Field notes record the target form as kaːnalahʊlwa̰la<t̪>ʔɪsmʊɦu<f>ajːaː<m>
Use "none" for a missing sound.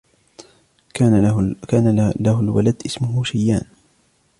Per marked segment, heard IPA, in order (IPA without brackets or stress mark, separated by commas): d̪, ʃ, n